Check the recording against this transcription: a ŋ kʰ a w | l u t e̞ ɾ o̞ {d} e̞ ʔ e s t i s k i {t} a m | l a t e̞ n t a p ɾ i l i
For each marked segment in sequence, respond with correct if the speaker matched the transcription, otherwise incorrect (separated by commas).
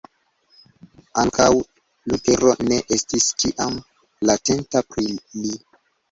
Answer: incorrect, incorrect